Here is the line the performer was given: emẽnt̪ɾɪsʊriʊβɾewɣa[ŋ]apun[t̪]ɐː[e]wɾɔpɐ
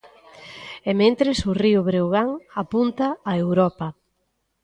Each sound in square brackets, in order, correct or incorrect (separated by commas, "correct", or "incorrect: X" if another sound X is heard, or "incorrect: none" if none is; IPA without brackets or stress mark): correct, correct, correct